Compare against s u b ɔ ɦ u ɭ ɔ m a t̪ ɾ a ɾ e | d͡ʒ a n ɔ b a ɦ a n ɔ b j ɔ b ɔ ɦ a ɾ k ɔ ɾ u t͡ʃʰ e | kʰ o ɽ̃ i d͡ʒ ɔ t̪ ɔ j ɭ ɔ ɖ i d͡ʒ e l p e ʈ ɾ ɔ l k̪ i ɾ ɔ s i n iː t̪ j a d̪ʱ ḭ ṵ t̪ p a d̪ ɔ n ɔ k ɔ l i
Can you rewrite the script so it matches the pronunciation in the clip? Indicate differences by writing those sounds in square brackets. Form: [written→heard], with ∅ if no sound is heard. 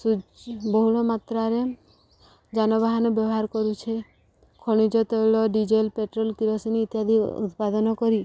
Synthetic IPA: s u b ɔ ɦ u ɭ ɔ m a t̪ ɾ a ɾ e | d͡ʒ a n ɔ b a ɦ a n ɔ b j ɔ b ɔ ɦ a ɾ k ɔ ɾ u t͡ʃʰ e | kʰ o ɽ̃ i d͡ʒ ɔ t̪ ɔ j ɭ ɔ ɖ i d͡ʒ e l p e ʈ ɾ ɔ l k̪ i ɾ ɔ s i n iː t̪ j a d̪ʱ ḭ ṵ t̪ p a d̪ ɔ n ɔ k ɔ [l→ɾ] i